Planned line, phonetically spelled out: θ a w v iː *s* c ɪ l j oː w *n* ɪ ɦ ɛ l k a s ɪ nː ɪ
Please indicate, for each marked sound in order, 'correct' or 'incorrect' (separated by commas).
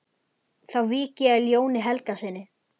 incorrect, correct